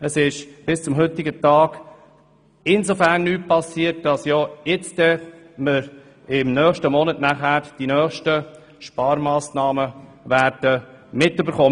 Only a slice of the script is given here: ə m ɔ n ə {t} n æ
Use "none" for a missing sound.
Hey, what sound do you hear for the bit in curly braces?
t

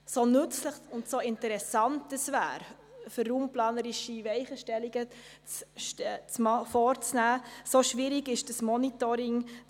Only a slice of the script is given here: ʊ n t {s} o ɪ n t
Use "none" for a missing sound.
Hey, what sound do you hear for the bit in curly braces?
s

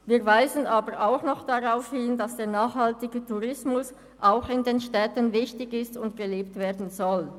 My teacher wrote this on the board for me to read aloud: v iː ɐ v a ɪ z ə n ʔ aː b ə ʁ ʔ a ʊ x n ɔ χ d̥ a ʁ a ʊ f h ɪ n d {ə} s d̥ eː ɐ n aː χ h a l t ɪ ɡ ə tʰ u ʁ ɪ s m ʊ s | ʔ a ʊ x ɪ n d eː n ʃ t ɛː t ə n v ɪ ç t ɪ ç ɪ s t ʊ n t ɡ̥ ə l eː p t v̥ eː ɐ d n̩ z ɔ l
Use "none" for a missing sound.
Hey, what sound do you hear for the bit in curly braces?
a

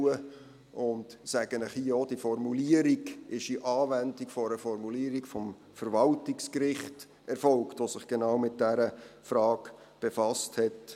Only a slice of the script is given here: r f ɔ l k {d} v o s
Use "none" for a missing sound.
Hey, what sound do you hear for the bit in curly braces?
t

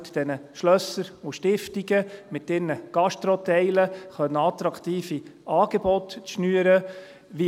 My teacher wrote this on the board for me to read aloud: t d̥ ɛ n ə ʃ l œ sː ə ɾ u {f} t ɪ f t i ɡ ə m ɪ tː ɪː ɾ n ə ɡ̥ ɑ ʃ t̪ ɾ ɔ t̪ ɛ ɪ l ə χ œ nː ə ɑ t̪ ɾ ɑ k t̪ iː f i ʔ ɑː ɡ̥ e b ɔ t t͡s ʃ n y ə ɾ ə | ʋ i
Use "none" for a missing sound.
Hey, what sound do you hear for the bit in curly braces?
ʃ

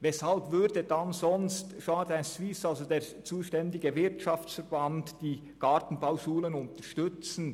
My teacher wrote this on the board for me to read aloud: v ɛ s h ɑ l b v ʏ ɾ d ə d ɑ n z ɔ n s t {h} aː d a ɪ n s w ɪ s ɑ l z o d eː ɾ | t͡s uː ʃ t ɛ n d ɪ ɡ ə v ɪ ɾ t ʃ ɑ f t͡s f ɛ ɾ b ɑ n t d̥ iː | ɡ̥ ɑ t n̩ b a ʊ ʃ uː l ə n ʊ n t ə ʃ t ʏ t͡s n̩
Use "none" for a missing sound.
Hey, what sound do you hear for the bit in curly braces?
ʃ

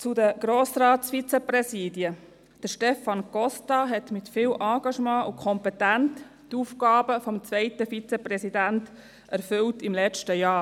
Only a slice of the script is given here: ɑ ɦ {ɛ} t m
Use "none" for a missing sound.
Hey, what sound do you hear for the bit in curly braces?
ɛ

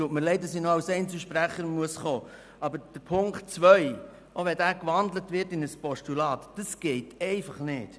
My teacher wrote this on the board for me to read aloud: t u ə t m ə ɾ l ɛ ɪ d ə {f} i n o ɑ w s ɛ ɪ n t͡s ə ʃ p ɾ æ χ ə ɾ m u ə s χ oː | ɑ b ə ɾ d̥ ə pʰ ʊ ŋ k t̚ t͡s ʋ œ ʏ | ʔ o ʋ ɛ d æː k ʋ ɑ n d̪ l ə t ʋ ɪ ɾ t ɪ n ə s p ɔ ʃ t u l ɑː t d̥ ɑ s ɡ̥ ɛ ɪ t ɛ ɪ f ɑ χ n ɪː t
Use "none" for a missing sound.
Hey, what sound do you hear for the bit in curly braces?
s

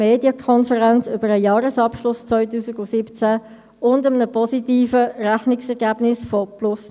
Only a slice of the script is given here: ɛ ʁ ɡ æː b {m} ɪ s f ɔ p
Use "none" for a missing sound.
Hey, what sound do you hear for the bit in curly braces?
n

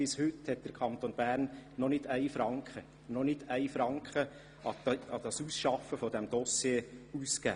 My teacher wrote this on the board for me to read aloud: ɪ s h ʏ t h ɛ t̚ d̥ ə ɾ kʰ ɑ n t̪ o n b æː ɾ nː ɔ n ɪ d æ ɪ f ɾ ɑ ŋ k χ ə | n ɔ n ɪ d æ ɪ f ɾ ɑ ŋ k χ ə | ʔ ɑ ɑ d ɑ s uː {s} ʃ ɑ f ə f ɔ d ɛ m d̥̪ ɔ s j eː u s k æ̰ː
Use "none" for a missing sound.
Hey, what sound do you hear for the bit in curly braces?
s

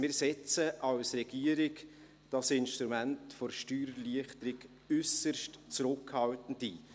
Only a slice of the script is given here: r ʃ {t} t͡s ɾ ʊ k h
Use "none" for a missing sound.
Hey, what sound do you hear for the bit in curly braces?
t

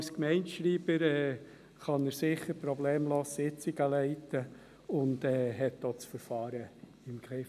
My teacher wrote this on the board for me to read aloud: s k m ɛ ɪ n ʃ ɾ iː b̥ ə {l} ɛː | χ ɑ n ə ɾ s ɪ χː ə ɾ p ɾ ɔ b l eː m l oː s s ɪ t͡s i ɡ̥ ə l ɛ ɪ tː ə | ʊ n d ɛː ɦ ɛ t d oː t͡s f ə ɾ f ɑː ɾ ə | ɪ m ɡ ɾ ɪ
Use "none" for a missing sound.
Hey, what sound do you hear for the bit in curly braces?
ɾ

